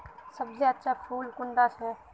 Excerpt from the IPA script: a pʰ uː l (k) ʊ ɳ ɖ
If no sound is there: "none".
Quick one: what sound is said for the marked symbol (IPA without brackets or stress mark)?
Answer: k